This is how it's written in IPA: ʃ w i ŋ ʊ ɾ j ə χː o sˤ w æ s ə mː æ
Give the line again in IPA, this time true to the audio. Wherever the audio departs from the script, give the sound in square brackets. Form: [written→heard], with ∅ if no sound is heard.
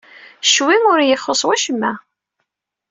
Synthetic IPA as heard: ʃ w i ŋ ʊ ɾ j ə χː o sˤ w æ [s→ʃ] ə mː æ